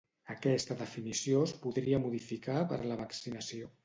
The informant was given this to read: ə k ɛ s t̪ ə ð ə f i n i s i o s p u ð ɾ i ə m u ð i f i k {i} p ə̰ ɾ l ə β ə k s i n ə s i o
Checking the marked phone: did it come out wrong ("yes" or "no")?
yes